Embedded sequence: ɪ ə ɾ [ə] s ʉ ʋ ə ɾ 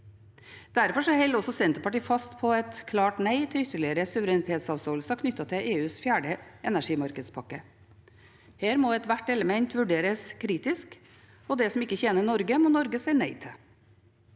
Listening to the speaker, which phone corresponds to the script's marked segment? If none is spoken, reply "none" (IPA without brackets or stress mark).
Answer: ə